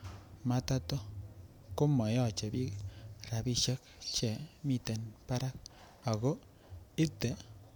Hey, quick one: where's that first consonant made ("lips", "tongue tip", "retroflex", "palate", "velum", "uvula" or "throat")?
lips